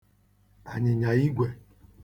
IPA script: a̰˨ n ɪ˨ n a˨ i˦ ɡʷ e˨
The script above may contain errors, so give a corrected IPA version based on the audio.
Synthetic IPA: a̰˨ ɲ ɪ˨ ɲ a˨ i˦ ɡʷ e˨